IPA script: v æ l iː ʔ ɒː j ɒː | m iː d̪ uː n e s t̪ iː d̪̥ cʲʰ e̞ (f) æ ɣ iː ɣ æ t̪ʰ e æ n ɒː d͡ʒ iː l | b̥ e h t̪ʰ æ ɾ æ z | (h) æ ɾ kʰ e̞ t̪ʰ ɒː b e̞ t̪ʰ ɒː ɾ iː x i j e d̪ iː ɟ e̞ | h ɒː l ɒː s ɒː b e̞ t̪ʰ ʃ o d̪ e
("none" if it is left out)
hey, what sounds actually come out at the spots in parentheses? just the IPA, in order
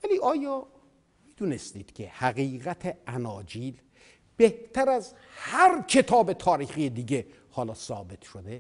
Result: h, h

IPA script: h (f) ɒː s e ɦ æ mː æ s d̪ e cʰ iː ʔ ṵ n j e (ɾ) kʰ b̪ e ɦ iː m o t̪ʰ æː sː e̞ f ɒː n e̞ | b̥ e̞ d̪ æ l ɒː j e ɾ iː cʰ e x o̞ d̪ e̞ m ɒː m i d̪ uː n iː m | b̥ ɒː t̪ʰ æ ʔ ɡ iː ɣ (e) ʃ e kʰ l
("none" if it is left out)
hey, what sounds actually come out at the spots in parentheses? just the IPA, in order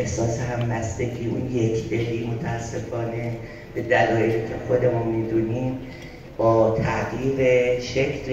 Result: s, none, e

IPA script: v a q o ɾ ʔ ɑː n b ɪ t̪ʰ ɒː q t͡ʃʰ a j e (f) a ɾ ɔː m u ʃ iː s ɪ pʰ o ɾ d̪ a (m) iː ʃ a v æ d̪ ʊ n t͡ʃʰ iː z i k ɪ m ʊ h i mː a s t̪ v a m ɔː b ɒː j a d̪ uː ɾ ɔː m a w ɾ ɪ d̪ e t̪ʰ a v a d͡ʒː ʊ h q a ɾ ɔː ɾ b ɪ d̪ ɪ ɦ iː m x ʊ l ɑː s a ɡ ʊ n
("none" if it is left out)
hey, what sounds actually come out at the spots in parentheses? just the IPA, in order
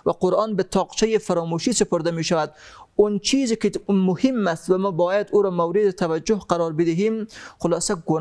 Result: f, m

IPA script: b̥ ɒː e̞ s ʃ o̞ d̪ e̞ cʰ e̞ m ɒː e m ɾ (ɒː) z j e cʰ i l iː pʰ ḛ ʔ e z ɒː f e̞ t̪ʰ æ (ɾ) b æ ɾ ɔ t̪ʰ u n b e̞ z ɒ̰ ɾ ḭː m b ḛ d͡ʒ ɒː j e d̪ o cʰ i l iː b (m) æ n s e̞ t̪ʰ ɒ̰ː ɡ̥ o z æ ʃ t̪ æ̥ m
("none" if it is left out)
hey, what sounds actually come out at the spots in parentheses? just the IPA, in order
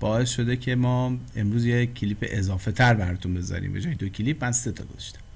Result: uː, ɾ, m

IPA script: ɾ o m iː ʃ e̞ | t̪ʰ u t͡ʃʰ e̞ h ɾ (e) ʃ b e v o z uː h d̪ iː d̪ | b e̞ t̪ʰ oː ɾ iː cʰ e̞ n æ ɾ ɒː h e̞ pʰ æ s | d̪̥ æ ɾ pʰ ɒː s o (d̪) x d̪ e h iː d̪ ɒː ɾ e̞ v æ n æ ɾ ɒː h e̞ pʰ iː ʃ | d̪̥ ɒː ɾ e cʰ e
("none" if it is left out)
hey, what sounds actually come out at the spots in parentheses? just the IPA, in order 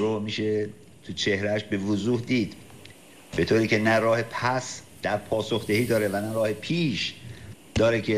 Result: æ, none

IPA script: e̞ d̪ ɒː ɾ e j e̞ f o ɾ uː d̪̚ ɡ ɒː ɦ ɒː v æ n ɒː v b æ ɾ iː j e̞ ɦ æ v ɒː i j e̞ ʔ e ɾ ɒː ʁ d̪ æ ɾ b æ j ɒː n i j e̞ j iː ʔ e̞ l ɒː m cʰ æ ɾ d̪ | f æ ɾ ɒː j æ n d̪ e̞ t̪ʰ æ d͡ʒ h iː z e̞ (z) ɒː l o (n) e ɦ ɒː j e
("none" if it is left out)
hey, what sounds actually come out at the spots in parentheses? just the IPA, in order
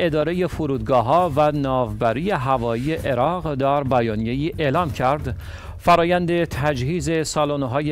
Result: s, n

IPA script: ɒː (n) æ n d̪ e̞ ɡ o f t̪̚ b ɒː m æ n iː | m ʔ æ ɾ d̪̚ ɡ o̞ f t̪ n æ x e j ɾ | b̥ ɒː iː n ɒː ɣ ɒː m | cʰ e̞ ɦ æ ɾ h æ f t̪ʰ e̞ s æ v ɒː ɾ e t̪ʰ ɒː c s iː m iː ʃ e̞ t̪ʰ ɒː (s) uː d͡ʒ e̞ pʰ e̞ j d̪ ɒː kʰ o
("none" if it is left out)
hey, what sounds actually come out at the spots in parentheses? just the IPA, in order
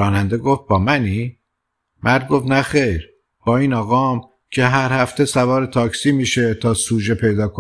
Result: n, s

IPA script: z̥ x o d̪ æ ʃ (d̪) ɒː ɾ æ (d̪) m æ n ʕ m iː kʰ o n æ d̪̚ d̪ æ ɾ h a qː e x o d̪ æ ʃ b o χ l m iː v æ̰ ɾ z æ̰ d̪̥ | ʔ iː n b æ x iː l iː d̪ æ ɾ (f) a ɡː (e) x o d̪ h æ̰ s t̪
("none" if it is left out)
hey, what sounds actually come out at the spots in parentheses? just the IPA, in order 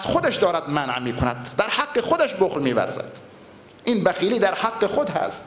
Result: d̪, d̪, h, e

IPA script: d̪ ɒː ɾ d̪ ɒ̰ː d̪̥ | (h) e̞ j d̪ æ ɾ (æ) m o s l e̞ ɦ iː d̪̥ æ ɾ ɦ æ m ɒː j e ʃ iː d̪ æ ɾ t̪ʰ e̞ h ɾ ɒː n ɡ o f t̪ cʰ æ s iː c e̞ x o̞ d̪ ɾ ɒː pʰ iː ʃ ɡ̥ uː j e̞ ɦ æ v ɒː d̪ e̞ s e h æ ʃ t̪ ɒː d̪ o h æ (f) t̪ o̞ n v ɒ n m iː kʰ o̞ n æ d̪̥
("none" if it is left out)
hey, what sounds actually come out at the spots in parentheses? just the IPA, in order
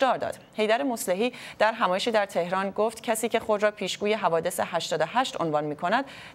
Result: h, e, ʃ

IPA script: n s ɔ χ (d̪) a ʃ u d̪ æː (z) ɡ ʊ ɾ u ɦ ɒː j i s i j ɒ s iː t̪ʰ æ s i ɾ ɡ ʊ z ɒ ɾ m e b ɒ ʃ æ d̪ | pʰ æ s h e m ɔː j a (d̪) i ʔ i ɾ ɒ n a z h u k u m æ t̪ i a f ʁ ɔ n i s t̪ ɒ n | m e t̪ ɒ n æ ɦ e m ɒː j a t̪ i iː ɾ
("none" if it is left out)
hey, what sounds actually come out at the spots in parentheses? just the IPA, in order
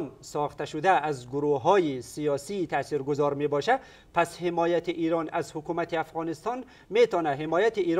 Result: t̪, z, t̪

